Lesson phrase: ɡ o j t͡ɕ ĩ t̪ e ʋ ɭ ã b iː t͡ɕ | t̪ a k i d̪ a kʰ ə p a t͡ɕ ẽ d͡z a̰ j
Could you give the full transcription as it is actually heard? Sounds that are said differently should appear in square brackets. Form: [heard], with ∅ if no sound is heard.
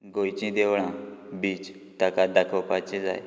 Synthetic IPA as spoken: ɡ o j t͡ɕ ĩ [d̪] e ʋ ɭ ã b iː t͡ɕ | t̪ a k [a] d̪ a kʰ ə p a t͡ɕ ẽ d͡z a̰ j